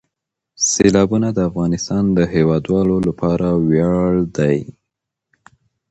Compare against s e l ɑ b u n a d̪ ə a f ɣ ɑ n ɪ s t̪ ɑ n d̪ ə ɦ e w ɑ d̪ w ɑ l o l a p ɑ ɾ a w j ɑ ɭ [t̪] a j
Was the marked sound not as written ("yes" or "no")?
yes